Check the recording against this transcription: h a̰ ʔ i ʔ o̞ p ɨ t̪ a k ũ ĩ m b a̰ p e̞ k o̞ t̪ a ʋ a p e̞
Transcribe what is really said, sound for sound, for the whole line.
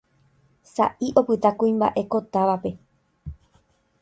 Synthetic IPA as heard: s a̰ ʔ i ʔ o̞ p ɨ t̪ a k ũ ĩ m b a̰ ʔ e̞ k o̞ t̪ a ʋ a p e̞